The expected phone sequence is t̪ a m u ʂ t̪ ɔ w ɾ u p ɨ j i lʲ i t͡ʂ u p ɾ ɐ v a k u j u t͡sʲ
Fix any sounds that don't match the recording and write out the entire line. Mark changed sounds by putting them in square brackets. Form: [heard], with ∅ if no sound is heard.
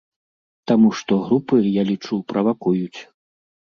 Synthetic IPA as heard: t̪ a m u ʂ t̪ ɔ [ɣ] ɾ u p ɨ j [a] lʲ i t͡ʂ u p ɾ ɐ v a k u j u t͡sʲ